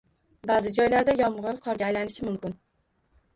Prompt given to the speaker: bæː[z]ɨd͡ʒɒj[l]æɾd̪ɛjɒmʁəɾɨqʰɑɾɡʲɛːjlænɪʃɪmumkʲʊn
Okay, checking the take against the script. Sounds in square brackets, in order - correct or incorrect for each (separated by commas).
correct, correct